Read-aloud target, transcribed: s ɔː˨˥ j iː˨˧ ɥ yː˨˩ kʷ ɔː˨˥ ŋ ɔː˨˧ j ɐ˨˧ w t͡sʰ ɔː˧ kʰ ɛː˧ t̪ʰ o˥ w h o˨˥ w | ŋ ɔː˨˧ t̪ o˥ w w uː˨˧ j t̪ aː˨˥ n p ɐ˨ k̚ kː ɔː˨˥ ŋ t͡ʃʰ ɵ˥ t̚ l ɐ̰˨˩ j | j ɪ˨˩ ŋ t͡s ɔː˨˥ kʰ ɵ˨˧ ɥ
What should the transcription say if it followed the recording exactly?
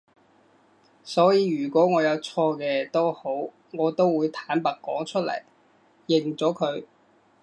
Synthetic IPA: s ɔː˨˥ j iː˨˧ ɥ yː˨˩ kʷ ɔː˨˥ ŋ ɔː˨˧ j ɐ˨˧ w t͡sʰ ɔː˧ k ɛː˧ t̪ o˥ w h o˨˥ w | ŋ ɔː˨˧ t̪ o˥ w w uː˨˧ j t̪ʰ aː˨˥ n p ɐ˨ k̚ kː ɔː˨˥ ŋ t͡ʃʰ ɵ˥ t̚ l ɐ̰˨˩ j | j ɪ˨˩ ŋ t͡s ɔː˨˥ kʰ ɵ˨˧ ɥ